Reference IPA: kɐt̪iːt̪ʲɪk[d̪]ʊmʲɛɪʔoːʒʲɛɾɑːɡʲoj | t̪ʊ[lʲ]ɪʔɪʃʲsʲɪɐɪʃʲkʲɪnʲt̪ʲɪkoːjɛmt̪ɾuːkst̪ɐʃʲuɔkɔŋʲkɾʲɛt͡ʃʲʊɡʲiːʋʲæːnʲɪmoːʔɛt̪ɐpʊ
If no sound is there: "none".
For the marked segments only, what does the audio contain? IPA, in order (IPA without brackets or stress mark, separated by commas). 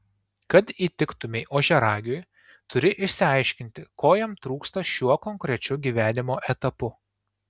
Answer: t̪, ɾʲ